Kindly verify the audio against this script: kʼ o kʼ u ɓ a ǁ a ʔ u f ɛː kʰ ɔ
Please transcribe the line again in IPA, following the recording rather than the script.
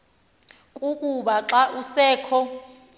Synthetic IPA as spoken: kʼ u kʼ u ɓ a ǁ a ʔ u s ɛː kʰ ɔ